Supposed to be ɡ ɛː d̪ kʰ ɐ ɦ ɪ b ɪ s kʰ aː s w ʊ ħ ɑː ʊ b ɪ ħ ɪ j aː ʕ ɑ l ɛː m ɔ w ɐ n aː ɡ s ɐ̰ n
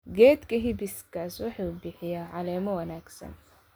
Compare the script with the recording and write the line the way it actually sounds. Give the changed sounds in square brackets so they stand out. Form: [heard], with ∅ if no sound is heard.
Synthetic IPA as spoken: ɡ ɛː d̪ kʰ ɐ ɦ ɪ b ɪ s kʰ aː s w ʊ ħ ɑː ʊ b ɪ ħ ɪ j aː ʕ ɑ l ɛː m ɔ w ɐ n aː ɡ s ɐ̰ n